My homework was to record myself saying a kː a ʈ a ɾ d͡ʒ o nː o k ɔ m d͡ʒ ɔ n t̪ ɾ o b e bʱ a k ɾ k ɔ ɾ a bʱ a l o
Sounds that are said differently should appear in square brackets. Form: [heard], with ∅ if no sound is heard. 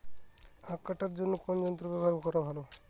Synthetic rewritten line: a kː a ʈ a ɾ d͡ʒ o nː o k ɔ [n] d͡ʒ ɔ n t̪ ɾ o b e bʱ a [∅] ɾ k ɔ ɾ a bʱ a l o